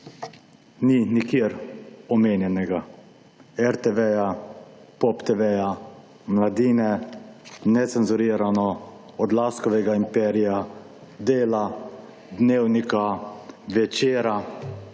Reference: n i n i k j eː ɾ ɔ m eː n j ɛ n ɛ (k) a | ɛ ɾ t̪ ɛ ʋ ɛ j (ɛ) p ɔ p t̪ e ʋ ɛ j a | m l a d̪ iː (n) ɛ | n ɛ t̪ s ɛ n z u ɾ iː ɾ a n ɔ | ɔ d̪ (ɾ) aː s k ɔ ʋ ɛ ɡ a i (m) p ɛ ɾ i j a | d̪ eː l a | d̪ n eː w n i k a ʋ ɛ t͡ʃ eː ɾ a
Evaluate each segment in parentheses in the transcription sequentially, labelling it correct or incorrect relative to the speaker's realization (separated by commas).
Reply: incorrect, incorrect, correct, incorrect, correct